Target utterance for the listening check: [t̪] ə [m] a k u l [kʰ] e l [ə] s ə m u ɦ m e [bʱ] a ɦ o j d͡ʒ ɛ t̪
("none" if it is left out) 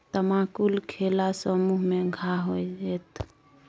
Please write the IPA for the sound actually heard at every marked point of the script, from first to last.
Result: t̪, m, kʰ, a, ɡʱ

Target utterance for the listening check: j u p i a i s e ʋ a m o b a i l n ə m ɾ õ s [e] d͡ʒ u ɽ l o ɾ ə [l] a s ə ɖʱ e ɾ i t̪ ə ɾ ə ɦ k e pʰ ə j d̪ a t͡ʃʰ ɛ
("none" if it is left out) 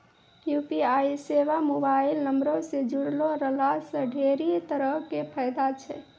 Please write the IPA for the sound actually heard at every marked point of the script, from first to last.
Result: e, l

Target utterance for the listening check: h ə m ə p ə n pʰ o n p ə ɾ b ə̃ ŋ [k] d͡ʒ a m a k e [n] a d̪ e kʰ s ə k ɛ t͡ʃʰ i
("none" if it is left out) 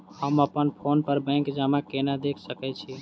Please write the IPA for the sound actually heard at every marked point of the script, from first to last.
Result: k, n

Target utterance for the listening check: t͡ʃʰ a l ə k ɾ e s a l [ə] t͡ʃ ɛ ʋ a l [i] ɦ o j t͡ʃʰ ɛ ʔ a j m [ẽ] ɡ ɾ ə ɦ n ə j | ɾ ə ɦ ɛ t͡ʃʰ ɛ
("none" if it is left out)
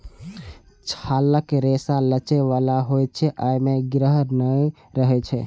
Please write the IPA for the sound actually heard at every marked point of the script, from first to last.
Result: ə, a, e

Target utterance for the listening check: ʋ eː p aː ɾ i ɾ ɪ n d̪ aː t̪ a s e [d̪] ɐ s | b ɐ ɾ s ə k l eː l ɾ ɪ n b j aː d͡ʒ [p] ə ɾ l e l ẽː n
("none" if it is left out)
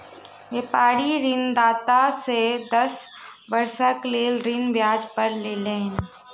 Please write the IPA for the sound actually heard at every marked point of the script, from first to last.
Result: d̪, p

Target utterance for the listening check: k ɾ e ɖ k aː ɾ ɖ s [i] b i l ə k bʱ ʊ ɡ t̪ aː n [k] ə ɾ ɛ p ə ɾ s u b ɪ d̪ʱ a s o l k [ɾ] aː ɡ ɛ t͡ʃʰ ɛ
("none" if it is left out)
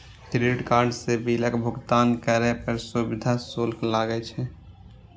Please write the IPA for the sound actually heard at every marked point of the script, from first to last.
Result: e, k, l

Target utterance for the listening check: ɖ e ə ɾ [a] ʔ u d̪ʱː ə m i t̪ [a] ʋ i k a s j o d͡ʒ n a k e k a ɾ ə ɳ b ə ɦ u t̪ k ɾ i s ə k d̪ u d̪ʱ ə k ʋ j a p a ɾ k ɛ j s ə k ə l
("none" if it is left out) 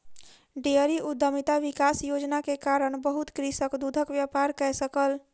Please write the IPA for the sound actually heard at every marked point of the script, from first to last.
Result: i, a

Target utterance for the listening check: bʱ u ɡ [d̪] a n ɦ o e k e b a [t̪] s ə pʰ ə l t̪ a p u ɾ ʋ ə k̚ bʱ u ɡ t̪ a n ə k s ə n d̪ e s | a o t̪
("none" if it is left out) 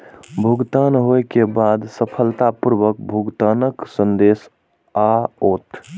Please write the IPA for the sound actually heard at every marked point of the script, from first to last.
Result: t̪, d̪

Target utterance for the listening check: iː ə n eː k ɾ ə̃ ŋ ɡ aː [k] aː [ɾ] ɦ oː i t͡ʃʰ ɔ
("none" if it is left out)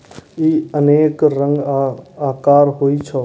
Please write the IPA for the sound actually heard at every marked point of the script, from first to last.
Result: k, ɾ

